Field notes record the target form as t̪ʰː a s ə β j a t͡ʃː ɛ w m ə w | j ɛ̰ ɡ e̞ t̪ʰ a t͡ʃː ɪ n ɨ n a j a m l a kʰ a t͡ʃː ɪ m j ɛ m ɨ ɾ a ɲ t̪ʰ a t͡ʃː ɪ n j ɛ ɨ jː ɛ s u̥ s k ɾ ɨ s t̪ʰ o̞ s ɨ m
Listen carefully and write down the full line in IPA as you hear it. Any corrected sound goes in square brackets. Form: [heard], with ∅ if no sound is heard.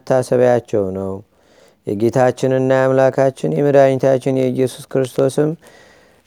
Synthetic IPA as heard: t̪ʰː a s ə β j a t͡ʃː ɛ w [n] ə w | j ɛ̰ ɡ e̞ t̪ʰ a t͡ʃː ɪ n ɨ [nː] a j a m l a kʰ a t͡ʃː ɪ [n] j ɛ m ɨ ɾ a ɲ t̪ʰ a t͡ʃː ɪ n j ɛ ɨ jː ɛ s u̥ s k ɾ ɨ s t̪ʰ o̞ s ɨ m